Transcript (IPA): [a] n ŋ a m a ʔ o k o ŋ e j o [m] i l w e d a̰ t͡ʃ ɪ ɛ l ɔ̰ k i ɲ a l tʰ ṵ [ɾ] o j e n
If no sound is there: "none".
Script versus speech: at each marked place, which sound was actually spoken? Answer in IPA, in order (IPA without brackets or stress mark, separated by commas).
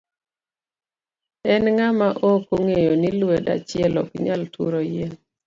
ɛ, n, ɾ